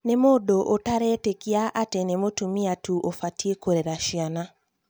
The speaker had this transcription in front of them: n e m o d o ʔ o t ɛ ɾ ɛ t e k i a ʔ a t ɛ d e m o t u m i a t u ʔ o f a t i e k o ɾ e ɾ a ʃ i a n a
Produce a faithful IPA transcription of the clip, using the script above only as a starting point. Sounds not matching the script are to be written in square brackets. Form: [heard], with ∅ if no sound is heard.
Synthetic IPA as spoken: n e m o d o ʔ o t [a] ɾ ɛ t e k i a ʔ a t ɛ [n] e m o t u m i a t u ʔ o f a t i e k o ɾ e ɾ a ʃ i a n a